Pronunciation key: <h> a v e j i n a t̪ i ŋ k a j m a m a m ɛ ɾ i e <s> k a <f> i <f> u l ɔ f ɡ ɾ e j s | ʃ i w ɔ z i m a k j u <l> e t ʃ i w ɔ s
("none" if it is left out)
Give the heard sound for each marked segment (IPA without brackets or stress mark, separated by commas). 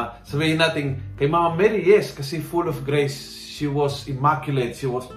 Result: s, s, s, f, l